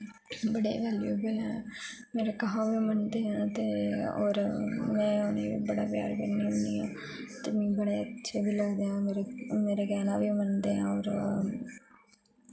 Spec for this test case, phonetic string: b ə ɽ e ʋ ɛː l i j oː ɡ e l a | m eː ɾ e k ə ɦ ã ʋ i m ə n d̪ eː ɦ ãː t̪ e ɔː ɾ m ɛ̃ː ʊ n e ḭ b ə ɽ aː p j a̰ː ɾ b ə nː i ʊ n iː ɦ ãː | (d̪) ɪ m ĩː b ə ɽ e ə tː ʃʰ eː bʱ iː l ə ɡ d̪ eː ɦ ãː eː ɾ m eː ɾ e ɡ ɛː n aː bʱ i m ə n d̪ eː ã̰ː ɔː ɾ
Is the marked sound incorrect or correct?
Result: incorrect: t̪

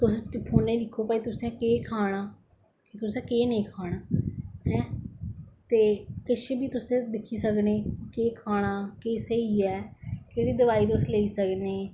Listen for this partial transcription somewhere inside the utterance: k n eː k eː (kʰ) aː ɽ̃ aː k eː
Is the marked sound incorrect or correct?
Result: correct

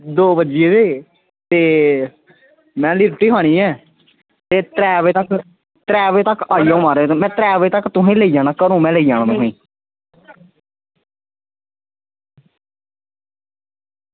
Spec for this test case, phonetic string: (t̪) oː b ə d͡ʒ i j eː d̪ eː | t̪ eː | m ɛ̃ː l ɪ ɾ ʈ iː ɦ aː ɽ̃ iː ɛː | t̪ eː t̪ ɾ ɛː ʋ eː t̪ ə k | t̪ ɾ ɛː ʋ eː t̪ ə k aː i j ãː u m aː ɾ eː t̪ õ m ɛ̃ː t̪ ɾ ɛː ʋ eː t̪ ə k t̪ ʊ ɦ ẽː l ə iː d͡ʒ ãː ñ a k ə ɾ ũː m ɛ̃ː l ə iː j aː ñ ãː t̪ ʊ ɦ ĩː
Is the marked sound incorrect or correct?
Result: incorrect: d̪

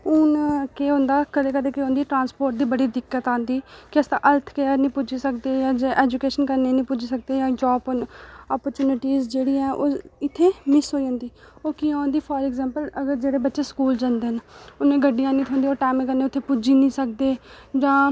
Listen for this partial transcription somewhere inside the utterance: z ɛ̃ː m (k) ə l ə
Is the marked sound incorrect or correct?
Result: incorrect: p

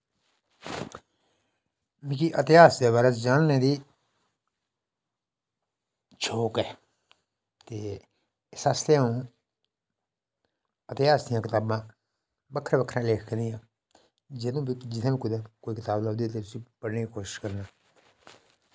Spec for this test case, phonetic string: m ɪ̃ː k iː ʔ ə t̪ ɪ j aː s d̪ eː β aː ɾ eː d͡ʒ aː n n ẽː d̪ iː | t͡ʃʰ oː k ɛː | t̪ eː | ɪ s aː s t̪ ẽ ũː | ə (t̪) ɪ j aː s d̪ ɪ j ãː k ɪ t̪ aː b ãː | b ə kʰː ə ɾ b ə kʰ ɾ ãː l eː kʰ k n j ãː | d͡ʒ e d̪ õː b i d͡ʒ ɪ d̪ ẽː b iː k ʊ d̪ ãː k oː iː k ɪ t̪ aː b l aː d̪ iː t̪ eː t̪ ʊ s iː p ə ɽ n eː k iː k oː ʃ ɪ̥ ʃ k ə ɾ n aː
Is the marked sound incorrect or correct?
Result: correct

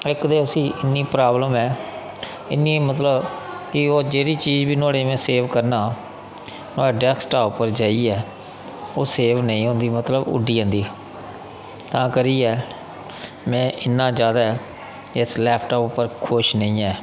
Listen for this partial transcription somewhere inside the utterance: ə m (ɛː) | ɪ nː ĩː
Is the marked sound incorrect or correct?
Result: correct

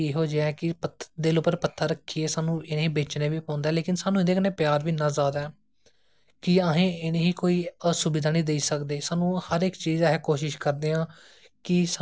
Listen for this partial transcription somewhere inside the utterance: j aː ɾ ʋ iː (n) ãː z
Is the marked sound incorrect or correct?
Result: correct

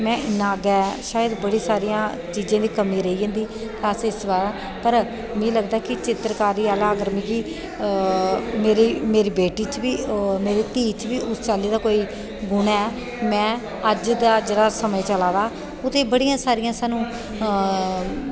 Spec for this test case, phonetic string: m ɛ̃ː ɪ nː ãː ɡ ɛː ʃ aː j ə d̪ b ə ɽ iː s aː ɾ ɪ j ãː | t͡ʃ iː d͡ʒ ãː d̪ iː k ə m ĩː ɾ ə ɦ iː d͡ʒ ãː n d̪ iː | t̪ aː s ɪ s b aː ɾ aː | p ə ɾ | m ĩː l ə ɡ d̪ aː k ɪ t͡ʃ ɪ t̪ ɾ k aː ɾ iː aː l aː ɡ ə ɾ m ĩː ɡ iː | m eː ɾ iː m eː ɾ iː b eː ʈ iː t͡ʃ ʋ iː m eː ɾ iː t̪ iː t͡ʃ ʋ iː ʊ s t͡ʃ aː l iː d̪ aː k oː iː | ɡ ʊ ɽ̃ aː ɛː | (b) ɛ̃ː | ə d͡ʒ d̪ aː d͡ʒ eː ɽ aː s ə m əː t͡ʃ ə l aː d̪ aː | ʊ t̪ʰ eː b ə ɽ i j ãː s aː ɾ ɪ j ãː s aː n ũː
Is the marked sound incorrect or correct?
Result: incorrect: m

